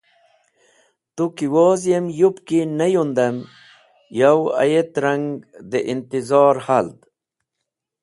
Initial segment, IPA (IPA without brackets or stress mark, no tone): t̪